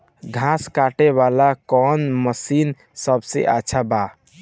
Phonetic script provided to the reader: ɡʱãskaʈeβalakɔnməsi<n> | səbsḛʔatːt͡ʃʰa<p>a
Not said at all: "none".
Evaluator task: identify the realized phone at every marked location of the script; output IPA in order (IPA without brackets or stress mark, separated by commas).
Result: n, b